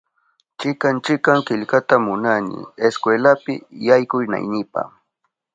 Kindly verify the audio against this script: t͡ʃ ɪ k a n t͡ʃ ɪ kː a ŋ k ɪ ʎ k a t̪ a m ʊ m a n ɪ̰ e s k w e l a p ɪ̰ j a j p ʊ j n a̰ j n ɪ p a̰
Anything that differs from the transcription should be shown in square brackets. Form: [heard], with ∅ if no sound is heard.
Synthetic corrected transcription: t͡ʃ ɪ k a n t͡ʃ ɪ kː a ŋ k ɪ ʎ k a t̪ a m ʊ [n] a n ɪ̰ e s k w e l a p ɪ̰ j a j [k] ʊ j n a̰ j n ɪ p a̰

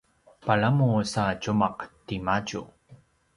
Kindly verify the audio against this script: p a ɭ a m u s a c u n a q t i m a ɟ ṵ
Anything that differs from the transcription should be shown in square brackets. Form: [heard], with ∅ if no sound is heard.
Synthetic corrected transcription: p a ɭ a m u s a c u [m] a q t i m a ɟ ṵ

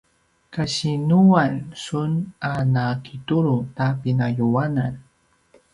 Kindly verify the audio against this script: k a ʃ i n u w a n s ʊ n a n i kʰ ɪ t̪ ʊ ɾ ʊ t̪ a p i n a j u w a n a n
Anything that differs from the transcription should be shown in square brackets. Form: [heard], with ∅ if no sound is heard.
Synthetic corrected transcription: k a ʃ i n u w a n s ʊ n a n [a] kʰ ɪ t̪ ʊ ɾ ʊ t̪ a p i n a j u w a n a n

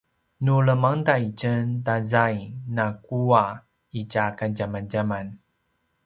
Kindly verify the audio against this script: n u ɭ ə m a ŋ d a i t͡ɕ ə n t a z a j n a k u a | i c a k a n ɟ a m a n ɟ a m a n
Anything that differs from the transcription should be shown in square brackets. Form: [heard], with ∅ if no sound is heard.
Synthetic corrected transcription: n u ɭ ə m a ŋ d a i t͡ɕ ə n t a z a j n a k u a | i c a k a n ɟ a m a n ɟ a m a n

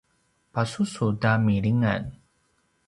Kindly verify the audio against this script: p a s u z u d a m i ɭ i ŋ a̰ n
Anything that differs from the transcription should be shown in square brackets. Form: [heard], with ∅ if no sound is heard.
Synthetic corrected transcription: p a s u [s] u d a m i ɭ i ŋ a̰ n

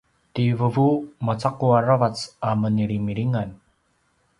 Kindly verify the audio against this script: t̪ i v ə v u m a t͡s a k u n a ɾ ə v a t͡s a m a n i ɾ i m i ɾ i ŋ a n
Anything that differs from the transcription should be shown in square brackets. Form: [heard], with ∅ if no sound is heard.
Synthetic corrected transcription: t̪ i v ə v u m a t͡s a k u [∅] a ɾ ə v a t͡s a m [ə] n i ɾ i m i ɾ i ŋ a n

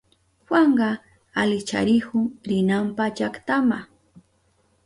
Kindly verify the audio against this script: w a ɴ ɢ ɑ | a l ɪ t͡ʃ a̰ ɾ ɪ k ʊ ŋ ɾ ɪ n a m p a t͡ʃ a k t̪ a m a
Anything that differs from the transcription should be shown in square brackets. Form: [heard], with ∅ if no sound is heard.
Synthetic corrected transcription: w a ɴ ɢ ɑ | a l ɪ t͡ʃ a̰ ɾ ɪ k ʊ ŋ ɾ ɪ n a m p a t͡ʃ a k t̪ a m a

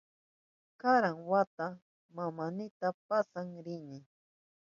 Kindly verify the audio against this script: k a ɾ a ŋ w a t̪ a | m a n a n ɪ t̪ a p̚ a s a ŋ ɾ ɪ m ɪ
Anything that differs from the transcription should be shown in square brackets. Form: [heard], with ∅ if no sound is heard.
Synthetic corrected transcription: k a ɾ a ŋ w a t̪ a | m a [m] a n ɪ t̪ a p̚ a s a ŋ ɾ ɪ [n] ɪ

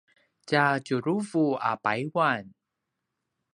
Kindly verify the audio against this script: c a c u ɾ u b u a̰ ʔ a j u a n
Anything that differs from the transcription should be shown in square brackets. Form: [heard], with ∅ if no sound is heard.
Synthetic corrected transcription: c a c u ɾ u [v] u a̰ [p] a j [w] a n

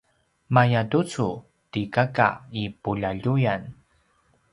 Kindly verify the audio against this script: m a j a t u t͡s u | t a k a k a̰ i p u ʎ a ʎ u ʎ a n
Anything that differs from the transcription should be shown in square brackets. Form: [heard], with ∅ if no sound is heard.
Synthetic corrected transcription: m a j a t u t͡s u | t [i] k a k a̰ i p u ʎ a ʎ u [j] a n

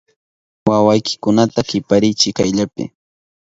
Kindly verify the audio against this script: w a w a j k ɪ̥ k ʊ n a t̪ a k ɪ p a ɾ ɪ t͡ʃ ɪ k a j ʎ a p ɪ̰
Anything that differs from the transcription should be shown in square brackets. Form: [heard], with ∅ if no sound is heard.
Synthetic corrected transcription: w a w a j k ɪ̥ k ʊ n a t̪ a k ɪ p a ɾ ɪ t͡ʃ ɪ k a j ʎ a p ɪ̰

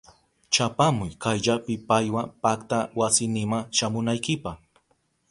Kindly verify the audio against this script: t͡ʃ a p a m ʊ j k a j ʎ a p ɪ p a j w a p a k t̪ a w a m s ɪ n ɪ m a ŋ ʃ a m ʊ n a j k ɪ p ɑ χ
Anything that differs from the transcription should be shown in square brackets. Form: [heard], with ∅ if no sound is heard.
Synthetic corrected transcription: t͡ʃ a p a m ʊ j k a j ʎ a p ɪ p a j w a p a k t̪ a w a [∅] s ɪ n ɪ m a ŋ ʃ a m ʊ n a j k ɪ p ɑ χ

